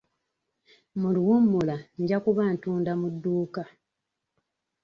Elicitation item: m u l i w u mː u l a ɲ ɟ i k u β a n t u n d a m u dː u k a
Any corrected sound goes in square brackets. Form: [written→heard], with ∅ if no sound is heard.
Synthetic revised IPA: m u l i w u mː u l a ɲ ɟ [i→a] k u β a n t [u→uː] n d a m u dː [u→uː] k a